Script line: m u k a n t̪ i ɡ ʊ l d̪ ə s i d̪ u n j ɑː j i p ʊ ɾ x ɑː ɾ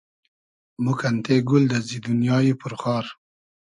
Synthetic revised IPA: m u k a n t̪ e ɡ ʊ l d̪ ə z i d̪ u n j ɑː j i p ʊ ɾ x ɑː ɾ